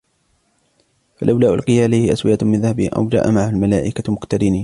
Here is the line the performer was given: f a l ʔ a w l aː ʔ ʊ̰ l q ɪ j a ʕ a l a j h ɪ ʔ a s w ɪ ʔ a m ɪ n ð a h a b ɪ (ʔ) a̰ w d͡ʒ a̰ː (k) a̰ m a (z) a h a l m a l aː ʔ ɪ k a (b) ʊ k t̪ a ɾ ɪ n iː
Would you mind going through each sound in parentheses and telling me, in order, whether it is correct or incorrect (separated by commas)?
correct, incorrect, incorrect, incorrect